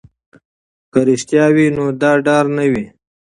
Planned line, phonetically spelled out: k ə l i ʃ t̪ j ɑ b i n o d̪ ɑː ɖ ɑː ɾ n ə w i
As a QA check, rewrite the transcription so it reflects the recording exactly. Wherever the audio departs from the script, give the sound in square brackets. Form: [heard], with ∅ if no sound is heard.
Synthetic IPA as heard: k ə [ɾ] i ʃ t̪ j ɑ [w] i n o d̪ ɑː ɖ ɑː ɾ n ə w i